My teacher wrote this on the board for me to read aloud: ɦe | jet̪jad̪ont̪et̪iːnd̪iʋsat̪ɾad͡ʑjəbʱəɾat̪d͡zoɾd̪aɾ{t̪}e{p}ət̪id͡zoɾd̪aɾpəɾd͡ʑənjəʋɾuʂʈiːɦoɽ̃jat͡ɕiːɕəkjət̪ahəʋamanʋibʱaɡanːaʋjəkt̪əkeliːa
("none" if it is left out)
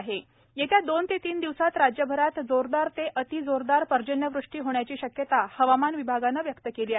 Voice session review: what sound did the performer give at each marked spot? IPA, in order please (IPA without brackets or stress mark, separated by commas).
t̪, ʔ